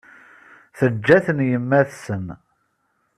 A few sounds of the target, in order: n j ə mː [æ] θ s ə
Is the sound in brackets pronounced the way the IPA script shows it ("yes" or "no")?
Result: yes